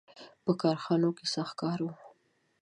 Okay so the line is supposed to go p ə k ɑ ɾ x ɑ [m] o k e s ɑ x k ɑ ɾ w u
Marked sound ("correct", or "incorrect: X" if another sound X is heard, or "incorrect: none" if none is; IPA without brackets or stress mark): incorrect: n